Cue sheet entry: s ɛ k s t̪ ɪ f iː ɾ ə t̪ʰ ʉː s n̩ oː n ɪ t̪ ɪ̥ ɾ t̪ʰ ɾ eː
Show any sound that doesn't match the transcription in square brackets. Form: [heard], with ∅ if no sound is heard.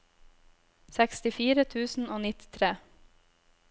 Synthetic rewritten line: s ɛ k s t̪ ɪ f iː ɾ ə t̪ʰ ʉː s n̩ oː n ɪ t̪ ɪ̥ [∅] t̪ʰ ɾ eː